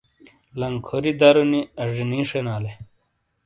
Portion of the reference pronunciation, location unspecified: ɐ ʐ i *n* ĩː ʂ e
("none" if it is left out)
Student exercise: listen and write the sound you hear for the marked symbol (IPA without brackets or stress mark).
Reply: n